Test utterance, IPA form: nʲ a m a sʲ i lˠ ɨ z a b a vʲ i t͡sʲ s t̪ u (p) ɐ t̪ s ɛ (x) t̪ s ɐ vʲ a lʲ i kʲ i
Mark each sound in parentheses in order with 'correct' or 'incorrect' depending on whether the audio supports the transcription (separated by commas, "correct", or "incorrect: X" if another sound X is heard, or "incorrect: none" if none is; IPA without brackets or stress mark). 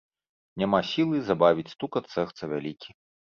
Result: incorrect: k, correct